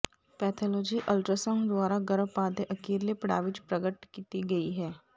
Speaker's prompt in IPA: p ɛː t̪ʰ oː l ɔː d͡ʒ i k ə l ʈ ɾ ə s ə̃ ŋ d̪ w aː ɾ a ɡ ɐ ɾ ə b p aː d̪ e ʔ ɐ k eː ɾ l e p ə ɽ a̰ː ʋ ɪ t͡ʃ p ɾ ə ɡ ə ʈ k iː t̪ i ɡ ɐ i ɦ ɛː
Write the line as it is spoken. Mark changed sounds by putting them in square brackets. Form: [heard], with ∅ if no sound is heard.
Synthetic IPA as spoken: p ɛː t̪ʰ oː l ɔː d͡ʒ i [ʔ] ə l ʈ ɾ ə s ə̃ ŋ d̪ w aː ɾ a ɡ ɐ ɾ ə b p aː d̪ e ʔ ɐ k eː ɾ l e p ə ɽ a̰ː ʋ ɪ t͡ʃ p ɾ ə ɡ ə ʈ k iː t̪ i ɡ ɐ i ɦ ɛː